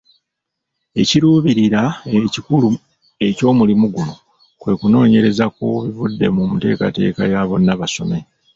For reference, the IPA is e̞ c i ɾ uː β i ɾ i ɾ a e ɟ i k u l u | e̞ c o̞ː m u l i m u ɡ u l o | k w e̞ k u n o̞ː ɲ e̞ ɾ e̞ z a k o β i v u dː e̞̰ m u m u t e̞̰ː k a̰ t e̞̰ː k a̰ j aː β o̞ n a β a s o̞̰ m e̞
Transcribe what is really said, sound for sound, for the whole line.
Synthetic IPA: e̞ c i ɾ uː β i ɾ i ɾ a e c i k u l u | e̞ c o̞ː m u l i m u ɡ u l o | k w e̞ k u n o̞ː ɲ e̞ ɾ e̞ z a k o β i v u dː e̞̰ m u m u t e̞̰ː k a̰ t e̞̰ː k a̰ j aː β o̞ n a β a s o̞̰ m e̞

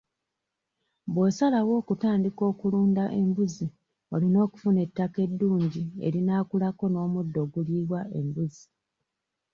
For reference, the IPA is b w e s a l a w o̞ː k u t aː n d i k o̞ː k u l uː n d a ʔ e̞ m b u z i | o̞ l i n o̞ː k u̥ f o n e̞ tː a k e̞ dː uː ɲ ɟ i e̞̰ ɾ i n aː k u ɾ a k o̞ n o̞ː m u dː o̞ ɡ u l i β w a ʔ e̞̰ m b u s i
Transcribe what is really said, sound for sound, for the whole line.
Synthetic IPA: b w e s a l a w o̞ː k u t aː n d i k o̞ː k u l uː n d a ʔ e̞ m b u z i | o̞ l i n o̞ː k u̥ f u n e̞ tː a k e̞ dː uː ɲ ɟ i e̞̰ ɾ i n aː k u l a k o̞ n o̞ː m u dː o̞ ɡ u l i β w a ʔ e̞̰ m b u z i

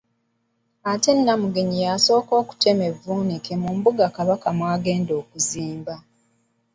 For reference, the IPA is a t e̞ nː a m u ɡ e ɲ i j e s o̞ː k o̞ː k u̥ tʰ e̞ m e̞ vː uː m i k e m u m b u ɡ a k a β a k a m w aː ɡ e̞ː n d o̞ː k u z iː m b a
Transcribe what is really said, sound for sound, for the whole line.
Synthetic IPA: a t e̞ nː a m u ɡ e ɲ i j a s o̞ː k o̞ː k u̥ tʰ e̞ m e̞ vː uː n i k e m u m b u ɡ a k a β a k a m w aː ɡ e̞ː n d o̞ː k u z iː m b a

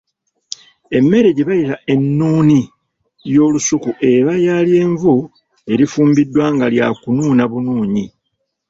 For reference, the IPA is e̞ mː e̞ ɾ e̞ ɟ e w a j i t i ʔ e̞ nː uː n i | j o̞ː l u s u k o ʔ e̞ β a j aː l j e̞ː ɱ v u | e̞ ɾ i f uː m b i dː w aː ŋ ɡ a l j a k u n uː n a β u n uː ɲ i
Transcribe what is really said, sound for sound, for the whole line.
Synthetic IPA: e̞ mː e̞ ɾ e̞ ɟ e β a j i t a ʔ e̞ nː uː n i | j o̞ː l u s u k u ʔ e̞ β a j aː l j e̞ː ɱ v u | e̞ ɾ i f uː m b i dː w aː ŋ ɡ a l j a k u n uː n a β u n uː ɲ i

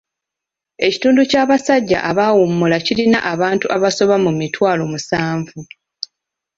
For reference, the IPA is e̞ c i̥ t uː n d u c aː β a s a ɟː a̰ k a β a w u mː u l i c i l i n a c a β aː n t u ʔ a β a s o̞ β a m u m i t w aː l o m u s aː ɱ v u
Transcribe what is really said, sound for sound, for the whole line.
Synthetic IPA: e̞ c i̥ t uː n d u c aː β a s a ɟː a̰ ʔ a β a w u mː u l a c i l i n a ʔ a β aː n t u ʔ a β a s o̞ β a m u m i t w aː l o m u s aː ɱ v u

